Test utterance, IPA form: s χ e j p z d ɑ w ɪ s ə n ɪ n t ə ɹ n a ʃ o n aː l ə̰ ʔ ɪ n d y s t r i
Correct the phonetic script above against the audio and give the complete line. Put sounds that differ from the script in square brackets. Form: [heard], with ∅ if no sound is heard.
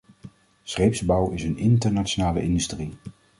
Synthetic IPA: s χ e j p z [b] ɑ w ɪ s ə n ɪ n t ə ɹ n a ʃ o n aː l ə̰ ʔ ɪ n d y s t r i